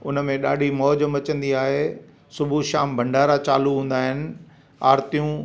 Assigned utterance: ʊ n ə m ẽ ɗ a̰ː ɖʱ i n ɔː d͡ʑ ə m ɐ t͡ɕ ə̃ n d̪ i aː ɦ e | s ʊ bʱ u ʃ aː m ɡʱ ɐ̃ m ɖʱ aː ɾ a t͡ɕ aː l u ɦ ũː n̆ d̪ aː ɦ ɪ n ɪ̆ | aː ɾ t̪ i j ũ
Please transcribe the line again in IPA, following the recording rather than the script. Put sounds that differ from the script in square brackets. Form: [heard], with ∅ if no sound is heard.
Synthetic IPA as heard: ʊ n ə m ẽ ɗ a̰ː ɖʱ i [m] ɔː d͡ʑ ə m ɐ t͡ɕ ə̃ n d̪ i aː ɦ e | s ʊ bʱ u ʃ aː m [bʱ] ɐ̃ [ɳ] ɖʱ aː ɾ a t͡ɕ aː l u ɦ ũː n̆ d̪ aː ɦ ɪ n ɪ̆ | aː ɾ t̪ i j ũ